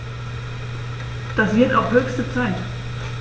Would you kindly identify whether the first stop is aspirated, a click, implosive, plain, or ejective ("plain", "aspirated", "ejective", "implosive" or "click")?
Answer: plain